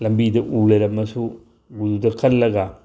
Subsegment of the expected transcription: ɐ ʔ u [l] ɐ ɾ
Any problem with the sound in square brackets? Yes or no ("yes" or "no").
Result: no